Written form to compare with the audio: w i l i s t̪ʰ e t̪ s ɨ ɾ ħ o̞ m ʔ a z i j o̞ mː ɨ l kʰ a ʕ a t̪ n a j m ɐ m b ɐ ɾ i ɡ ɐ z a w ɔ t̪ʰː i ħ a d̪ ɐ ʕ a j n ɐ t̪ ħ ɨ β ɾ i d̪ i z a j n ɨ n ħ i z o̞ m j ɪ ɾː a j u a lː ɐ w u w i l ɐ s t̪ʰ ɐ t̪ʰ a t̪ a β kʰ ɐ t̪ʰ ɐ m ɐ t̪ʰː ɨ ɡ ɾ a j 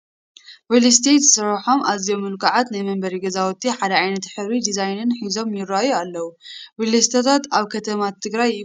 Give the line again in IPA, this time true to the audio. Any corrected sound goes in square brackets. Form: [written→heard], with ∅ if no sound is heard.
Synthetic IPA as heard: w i l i s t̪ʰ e t̪ s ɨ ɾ ħ o̞ m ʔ a z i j o̞ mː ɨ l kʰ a ʕ a t̪ n a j m ɐ m b ɐ ɾ i ɡ ɐ z a w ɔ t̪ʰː i ħ a d̪ ɐ ʕ a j n ɐ t̪ ħ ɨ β ɾ i d̪ i z a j n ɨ n ħ i z o̞ m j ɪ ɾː a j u a lː ɐ w u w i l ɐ s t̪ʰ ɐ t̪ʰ a t̪ a β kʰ ɐ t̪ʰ ɐ m [ɐ→a] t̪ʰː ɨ ɡ ɾ a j